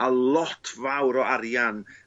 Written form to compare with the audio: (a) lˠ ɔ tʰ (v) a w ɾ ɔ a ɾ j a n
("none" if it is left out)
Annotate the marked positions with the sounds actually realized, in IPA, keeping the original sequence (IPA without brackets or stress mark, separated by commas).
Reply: a, v